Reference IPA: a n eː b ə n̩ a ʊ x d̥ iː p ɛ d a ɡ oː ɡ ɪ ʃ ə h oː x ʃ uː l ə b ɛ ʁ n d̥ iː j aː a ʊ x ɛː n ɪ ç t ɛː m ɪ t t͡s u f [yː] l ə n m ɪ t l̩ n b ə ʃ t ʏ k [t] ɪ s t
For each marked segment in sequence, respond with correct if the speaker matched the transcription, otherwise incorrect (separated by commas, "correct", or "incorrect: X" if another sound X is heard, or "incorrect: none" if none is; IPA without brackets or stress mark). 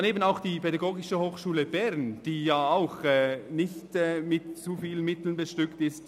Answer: incorrect: iː, correct